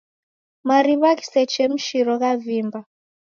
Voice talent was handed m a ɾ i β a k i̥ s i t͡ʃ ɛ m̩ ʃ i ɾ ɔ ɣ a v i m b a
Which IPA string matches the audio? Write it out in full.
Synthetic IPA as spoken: m a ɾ i β a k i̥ s ɛ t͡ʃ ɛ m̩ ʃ i ɾ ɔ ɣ a v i m b a